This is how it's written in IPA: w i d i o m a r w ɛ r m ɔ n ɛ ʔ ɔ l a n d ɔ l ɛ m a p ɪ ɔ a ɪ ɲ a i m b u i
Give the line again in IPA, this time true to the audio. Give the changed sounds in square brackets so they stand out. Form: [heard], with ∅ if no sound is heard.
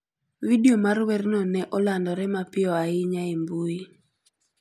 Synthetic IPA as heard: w i d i o m a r w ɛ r [n] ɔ n ɛ ʔ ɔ l a n d ɔ [ɾ] ɛ m a p ɪ ɔ a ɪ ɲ a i m b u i